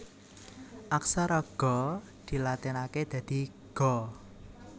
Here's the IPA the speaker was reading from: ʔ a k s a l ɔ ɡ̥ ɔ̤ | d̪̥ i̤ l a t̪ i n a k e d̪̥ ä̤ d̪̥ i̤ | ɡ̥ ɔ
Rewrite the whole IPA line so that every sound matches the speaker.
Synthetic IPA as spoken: ʔ a k s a ɾ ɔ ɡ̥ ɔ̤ | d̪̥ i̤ l a t̪ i n a k e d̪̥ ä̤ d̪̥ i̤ | ɡ̥ ɔ